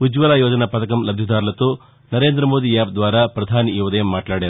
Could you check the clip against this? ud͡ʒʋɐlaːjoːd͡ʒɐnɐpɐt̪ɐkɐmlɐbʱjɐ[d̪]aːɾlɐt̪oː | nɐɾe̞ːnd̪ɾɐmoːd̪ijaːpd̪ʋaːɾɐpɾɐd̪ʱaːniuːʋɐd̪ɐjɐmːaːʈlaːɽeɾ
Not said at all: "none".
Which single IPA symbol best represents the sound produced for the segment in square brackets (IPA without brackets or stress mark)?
d̪